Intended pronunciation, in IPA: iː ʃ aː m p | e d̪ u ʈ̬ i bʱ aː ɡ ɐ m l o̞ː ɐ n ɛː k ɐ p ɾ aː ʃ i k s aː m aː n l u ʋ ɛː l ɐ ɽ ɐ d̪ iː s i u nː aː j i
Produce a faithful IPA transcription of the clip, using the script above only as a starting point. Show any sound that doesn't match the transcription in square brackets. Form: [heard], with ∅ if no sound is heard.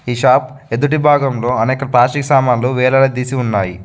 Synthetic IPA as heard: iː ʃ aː [∅] p | e d̪ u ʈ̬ i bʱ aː ɡ ɐ m l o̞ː ɐ n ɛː k ɐ p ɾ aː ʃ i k s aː m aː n l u ʋ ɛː l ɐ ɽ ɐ d̪ iː s i u nː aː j i